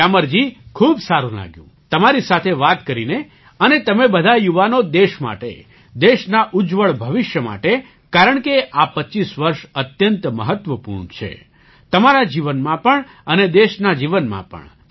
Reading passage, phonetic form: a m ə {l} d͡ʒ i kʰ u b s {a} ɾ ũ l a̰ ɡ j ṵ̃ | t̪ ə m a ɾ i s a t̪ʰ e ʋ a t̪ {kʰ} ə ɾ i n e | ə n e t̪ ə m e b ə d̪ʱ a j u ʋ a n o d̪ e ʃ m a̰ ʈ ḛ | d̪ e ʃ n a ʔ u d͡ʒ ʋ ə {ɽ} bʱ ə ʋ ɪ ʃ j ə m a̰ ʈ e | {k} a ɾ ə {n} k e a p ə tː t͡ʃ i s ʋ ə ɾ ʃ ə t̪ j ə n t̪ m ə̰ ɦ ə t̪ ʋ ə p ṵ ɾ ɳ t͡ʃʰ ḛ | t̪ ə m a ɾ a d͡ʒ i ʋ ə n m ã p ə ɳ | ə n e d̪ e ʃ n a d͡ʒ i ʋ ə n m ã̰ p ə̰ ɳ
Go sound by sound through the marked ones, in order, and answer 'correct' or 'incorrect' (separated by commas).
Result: incorrect, correct, incorrect, incorrect, correct, incorrect